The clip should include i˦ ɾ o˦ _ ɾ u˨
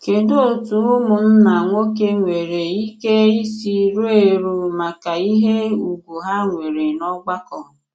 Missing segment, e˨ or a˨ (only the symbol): e˨